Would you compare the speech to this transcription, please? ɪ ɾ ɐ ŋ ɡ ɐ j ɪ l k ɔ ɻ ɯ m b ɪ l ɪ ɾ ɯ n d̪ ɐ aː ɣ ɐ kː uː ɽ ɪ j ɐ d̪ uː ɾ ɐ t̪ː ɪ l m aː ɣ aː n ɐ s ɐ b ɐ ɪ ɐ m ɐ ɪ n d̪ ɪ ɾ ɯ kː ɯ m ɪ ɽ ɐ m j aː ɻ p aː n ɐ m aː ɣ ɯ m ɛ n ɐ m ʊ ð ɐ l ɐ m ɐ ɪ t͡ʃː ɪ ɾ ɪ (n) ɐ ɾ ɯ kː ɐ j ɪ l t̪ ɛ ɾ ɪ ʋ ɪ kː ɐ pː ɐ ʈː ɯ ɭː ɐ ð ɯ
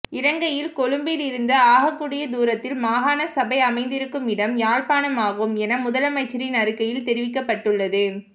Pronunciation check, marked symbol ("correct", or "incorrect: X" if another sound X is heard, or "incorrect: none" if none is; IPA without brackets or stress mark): correct